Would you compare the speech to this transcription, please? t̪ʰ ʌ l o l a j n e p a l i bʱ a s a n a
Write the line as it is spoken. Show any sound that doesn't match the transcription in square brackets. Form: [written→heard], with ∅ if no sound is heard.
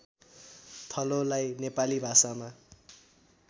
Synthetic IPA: t̪ʰ ʌ l o l a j n e p a l i bʱ a s a [n→m] a